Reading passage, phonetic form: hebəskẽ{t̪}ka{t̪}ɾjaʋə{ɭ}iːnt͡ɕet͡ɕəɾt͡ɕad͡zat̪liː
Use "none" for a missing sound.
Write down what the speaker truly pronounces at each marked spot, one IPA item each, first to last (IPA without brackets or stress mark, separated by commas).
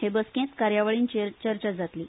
t̪, none, ɭ